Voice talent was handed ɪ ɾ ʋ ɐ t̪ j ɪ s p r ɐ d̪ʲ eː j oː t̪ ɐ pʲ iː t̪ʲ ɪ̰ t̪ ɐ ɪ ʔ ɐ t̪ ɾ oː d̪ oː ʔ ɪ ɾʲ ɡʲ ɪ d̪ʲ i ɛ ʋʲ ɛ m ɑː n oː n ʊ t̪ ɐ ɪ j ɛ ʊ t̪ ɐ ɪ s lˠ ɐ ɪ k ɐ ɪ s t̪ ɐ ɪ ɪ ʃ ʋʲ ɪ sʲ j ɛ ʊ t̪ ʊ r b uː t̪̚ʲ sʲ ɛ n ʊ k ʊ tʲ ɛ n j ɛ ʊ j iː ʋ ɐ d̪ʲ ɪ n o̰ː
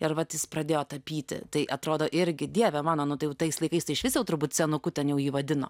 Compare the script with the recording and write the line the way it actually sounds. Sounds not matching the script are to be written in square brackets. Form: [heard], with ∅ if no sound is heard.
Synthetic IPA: ɪ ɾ ʋ ɐ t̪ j ɪ s p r ɐ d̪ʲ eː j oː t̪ ɐ pʲ iː t̪ʲ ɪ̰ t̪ ɐ ɪ ʔ ɐ t̪ ɾ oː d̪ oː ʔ ɪ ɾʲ ɡʲ ɪ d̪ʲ i ɛ ʋʲ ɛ m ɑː n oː n ʊ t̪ ɐ ɪ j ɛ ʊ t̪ ɐ ɪ s lˠ ɐ ɪ k ɐ ɪ s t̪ ɐ ɪ ɪ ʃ ʋʲ ɪ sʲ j ɛ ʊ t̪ ʊ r b uː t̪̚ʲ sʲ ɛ n ʊ k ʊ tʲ ɛ n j ɛ ʊ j iː ʋ ɐ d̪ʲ ɪ n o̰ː